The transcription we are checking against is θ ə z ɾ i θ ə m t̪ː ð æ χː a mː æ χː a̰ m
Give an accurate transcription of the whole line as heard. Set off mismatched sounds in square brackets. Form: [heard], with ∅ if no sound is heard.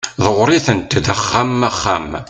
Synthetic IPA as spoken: [ð] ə [ʁ] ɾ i θ ə [n] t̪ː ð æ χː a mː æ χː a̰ m